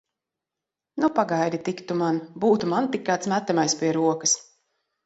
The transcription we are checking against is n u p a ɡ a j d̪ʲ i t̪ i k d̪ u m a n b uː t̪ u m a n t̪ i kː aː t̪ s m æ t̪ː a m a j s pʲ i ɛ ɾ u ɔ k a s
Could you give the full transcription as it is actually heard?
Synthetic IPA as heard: n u p a ɡ a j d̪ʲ i t̪ i k t̪ u m a n b uː t̪ u m a n t̪ i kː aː t̪ s m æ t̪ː a m a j s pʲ i ɛ ɾ u ɔ k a s